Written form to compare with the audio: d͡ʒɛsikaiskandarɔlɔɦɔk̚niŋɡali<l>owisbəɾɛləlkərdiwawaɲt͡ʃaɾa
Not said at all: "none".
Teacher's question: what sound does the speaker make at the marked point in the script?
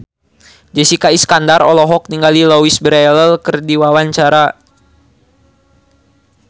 l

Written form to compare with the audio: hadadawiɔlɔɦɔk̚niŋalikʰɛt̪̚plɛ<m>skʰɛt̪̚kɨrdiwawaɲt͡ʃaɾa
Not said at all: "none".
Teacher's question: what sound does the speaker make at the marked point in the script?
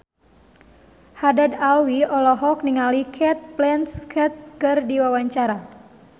n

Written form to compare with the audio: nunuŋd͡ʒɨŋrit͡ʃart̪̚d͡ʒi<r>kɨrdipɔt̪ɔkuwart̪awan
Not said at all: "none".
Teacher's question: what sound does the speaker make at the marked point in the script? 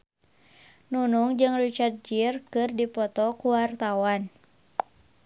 r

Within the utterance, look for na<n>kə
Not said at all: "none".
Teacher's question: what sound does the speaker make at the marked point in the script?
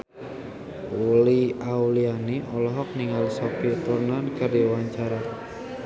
n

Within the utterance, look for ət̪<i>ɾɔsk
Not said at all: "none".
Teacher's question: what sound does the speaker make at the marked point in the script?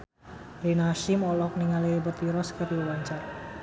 i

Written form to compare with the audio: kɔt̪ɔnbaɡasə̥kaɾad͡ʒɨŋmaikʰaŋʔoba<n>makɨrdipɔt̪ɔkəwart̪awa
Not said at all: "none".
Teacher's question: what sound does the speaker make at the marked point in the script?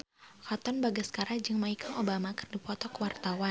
none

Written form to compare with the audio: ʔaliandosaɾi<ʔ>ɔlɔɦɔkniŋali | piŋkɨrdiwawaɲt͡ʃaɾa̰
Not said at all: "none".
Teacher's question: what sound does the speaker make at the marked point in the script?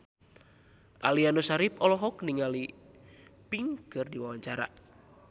p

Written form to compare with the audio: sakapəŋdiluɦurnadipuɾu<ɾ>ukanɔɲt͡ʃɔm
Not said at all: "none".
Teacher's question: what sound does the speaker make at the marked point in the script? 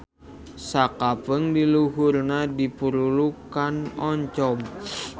l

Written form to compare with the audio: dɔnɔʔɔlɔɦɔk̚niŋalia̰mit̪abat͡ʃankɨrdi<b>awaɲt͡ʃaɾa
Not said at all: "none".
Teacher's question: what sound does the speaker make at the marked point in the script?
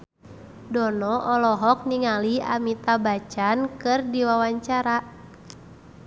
w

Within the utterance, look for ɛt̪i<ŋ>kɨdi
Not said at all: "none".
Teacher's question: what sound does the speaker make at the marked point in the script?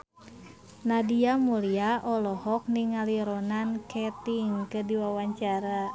ŋ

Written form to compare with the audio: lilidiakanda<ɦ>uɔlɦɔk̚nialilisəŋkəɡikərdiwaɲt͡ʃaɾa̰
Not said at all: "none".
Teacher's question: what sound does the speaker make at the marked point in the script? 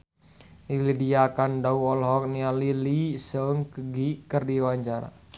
none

